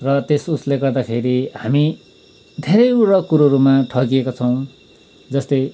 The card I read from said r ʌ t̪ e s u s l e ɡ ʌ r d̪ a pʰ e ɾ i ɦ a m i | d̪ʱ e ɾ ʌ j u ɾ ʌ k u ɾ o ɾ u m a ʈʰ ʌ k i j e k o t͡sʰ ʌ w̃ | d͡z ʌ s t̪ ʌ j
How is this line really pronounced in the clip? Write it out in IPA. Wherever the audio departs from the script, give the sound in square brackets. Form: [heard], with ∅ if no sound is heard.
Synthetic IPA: r ʌ t̪ e s u s l e ɡ ʌ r d̪ a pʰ e ɾ i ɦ a m i | d̪ʱ e ɾ ʌ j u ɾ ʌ k u ɾ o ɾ u m a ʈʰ ʌ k i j e k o t͡sʰ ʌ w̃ | d͡z ʌ s t̪ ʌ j